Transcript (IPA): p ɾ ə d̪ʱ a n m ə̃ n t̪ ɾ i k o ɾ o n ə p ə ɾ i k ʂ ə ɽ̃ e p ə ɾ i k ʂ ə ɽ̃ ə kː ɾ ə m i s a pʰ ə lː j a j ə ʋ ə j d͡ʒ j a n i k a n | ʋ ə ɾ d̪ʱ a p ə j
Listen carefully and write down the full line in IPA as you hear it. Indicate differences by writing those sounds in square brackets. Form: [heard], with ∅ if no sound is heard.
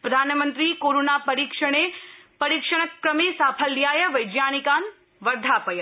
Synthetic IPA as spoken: p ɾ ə d̪ʱ a n m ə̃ n t̪ ɾ i k o ɾ o n [a] p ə ɾ i k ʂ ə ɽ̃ e p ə ɾ i k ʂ ə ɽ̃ ə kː ɾ ə m i s a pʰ ə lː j a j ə ʋ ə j d͡ʒ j a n i k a n | ʋ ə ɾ d̪ʱ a p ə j